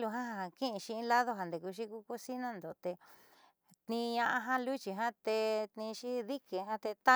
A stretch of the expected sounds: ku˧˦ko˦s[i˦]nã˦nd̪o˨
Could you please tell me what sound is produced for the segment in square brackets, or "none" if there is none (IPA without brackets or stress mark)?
i˦